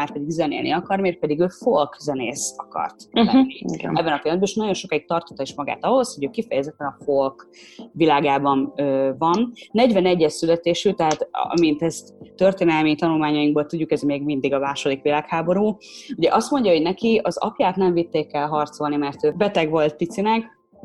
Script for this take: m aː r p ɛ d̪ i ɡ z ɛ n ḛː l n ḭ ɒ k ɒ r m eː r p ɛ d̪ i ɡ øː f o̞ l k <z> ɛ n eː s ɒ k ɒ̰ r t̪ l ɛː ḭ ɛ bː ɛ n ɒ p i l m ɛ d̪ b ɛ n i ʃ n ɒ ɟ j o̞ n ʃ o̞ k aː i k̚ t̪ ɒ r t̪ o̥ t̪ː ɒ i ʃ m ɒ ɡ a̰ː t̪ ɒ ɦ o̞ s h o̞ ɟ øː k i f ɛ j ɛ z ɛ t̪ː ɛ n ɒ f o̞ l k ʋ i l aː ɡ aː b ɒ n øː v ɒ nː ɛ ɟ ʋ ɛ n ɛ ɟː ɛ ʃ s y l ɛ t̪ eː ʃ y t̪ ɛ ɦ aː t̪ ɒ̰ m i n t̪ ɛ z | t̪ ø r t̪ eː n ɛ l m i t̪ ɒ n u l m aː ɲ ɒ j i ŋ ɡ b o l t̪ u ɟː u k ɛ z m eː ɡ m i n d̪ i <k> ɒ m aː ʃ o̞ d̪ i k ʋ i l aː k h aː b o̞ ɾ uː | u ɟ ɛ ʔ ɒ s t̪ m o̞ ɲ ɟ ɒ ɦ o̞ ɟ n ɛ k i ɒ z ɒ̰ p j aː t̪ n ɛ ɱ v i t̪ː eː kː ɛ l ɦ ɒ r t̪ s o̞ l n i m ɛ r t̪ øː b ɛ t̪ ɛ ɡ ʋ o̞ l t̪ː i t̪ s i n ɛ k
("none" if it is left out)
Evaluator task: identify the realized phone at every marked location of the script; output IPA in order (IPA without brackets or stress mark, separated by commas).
z, ɡ